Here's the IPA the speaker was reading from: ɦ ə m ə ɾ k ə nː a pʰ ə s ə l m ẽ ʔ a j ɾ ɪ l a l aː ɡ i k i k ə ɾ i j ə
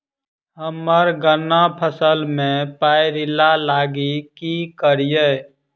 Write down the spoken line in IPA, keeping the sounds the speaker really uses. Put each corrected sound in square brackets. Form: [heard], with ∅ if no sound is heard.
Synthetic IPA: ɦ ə m ə ɾ [ɡ] ə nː a pʰ ə s ə l m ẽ [p] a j ɾ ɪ l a l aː ɡ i k i k ə ɾ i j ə